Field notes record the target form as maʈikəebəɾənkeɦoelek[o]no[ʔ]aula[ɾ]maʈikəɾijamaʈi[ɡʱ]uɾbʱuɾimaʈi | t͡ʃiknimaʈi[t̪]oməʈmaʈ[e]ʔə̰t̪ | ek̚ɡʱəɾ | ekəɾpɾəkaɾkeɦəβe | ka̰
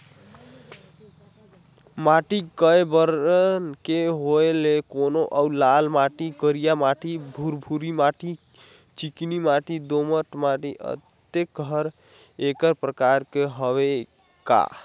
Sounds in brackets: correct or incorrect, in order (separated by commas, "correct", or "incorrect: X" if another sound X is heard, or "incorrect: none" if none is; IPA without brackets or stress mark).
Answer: correct, correct, incorrect: l, incorrect: bʱ, incorrect: d̪, incorrect: i